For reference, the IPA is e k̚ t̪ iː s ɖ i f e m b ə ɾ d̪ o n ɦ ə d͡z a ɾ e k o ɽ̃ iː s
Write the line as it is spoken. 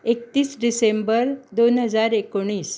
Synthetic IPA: e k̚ t̪ iː s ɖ i s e m b ə ɾ d̪ o n ɦ ə d͡z a ɾ e k o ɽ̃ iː s